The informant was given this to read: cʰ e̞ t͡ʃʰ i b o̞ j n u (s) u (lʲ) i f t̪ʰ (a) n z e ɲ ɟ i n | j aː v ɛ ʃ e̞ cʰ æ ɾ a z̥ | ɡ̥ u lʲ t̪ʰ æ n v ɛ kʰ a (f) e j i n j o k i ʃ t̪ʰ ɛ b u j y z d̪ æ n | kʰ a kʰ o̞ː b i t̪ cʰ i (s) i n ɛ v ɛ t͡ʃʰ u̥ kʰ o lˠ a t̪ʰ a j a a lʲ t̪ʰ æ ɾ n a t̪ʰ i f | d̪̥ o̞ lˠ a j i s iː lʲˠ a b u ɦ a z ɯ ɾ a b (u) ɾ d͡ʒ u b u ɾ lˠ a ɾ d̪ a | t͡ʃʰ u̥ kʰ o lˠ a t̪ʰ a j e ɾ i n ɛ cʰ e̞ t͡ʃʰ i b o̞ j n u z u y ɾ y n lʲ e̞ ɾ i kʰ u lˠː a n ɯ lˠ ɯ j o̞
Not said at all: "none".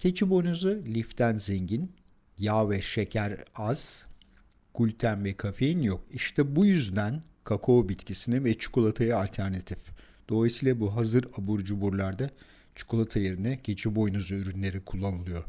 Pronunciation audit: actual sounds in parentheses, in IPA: z, lʲ, æ, f, s, u

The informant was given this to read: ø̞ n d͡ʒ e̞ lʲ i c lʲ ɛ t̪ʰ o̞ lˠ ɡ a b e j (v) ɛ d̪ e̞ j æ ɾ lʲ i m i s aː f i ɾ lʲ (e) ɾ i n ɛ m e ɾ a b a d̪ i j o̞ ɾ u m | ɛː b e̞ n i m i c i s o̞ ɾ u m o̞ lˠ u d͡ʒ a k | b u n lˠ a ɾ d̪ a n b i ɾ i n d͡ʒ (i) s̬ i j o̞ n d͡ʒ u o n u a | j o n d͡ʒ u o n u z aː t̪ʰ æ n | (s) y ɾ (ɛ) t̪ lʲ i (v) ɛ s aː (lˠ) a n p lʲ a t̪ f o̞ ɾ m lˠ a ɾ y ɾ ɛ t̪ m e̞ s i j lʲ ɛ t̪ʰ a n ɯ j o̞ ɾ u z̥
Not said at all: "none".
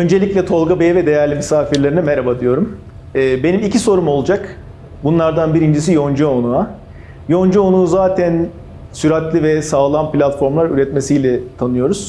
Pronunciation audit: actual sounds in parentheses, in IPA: v, e, i, s, a, v, lˠ

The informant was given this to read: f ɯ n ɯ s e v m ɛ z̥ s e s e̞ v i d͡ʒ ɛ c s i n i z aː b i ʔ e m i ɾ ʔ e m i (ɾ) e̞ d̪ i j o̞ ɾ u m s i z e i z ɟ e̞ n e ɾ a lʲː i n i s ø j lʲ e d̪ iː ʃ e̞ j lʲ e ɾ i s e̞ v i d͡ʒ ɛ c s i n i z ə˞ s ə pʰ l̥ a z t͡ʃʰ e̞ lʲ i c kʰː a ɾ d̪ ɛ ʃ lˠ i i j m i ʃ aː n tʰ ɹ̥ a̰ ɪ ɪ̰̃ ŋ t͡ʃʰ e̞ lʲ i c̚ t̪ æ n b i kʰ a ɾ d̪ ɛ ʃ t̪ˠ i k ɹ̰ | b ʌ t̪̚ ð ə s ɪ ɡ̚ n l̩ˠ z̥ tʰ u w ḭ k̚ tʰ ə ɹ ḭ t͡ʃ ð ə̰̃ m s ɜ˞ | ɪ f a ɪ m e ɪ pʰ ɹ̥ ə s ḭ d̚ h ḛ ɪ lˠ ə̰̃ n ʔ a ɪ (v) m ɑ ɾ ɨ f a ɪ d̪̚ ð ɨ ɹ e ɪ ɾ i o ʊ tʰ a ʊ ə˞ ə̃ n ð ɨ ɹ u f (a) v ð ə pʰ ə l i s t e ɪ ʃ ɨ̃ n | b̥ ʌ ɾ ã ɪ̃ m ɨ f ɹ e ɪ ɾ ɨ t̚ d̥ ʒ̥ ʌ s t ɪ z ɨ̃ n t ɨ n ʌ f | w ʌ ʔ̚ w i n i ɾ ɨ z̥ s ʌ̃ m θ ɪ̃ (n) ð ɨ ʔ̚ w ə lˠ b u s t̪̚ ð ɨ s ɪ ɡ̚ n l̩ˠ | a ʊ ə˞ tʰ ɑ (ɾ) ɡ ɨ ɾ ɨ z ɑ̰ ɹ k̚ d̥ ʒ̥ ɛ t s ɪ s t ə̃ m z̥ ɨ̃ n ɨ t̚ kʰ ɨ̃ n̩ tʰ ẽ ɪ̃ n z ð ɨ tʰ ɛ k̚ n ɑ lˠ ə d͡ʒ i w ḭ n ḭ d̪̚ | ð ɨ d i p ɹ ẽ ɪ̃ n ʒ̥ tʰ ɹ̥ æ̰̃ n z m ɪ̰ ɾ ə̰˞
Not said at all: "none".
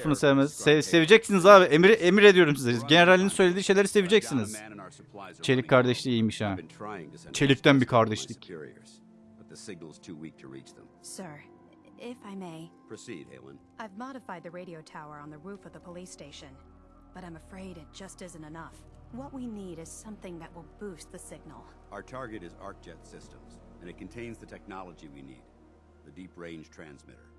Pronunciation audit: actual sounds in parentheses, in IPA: ɾ, v, ʌ, ŋ, ɹ

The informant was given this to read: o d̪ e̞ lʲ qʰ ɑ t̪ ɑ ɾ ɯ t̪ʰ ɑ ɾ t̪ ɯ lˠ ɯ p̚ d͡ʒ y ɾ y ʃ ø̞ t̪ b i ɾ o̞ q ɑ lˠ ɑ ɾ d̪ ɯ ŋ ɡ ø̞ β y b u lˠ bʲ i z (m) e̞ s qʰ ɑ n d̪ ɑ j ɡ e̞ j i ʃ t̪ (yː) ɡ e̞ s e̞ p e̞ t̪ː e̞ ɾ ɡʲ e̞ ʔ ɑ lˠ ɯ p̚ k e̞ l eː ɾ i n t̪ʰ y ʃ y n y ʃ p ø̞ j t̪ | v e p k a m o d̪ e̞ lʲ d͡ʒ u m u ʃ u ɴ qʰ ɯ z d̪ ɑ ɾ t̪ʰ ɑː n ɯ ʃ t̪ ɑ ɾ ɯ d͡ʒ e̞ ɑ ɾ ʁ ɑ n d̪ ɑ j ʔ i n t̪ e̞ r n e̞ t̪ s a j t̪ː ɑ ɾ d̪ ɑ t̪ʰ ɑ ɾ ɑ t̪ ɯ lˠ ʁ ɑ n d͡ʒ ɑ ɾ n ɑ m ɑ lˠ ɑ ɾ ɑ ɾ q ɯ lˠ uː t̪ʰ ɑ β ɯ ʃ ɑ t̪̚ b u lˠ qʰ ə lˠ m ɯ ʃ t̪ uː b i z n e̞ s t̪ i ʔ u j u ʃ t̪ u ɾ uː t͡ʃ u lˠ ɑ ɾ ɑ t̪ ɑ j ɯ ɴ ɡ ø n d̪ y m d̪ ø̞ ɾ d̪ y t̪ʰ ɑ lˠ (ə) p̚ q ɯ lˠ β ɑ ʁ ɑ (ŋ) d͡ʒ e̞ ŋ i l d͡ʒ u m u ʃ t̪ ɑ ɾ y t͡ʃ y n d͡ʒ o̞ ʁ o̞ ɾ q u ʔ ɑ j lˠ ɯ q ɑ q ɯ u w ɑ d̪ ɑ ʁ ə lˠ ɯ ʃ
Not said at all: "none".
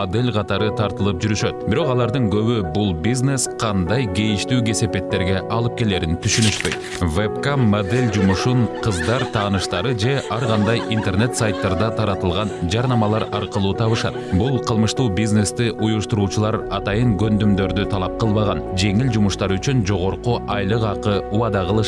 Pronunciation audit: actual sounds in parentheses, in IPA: n, yː, ɑ, n

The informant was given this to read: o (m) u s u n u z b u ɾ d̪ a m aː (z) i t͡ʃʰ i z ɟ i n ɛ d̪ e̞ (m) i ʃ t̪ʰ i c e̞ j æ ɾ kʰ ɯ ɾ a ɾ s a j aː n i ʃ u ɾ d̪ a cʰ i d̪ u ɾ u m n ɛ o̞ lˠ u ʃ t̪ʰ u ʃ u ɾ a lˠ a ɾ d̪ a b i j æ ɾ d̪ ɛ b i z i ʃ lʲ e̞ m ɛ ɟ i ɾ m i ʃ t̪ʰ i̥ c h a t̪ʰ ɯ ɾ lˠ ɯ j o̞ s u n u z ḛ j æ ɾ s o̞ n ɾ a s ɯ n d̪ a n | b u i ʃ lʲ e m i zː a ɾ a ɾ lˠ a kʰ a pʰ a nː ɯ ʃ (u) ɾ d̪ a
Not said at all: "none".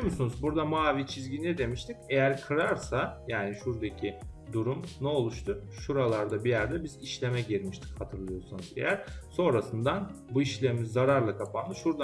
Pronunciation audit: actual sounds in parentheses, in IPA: m, v, m, u

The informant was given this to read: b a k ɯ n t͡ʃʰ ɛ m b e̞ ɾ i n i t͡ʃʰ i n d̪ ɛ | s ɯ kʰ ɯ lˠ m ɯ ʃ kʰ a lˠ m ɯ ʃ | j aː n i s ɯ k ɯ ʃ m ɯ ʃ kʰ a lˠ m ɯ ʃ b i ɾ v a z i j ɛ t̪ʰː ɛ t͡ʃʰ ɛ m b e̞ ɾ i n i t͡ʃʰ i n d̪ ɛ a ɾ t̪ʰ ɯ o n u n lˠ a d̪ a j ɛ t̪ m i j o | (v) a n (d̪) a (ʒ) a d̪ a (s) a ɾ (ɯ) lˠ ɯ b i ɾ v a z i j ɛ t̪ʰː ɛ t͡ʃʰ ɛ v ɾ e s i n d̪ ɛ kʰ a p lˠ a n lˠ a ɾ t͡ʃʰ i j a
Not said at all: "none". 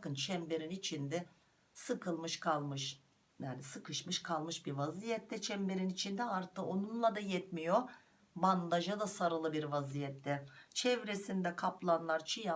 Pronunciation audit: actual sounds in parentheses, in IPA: b, d̪, ʒ, s, ɯ

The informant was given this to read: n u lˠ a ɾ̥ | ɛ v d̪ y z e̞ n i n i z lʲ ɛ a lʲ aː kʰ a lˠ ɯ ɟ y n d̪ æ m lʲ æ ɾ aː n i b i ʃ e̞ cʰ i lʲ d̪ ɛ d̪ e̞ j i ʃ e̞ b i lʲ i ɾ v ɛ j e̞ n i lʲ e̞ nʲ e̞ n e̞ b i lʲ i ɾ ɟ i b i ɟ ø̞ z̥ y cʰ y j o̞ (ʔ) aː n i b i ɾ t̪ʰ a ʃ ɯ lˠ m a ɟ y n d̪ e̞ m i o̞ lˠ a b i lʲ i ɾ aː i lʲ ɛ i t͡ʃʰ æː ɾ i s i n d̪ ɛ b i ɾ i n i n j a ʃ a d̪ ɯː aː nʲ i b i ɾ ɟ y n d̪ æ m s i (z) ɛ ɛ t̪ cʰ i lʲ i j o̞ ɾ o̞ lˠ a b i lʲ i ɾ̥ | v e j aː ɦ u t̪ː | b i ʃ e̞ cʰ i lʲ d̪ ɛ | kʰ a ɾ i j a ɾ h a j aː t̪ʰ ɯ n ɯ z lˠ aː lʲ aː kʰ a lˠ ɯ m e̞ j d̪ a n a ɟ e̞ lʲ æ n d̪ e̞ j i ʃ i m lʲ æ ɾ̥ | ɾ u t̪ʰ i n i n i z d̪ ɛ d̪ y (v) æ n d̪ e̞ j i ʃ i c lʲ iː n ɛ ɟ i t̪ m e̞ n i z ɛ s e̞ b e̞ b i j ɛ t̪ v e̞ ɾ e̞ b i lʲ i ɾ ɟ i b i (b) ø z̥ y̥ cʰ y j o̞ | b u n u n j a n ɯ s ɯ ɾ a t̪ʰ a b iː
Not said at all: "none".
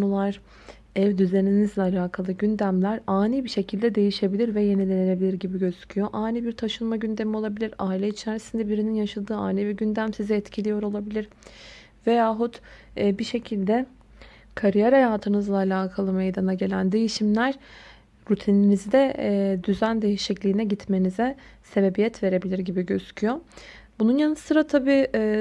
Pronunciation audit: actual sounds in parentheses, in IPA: ʔ, z, z, ɟ

